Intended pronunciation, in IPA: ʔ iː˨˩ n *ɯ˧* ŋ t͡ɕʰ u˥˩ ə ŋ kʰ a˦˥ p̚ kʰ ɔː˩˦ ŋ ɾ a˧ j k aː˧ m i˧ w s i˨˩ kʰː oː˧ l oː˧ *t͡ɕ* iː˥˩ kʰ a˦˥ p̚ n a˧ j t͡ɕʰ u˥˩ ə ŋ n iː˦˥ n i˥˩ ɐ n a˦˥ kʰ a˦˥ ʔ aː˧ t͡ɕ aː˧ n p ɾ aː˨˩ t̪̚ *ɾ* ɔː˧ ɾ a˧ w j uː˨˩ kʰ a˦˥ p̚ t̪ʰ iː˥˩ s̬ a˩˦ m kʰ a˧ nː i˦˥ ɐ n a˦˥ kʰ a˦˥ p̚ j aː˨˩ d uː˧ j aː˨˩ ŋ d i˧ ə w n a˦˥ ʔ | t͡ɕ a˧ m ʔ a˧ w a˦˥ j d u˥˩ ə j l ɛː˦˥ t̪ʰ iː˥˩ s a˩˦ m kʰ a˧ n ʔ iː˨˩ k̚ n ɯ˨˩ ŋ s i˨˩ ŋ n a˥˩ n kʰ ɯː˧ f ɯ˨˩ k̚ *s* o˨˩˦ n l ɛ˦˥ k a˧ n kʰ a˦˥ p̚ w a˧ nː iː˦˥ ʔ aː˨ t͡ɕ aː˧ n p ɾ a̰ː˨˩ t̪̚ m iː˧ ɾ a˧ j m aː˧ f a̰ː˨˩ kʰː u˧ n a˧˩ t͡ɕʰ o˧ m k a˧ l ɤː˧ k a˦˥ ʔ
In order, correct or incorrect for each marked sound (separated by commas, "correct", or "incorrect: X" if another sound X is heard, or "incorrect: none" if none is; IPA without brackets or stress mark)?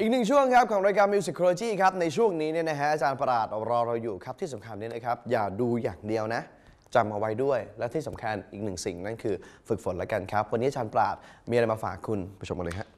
incorrect: ɯ˨˩, correct, correct, incorrect: f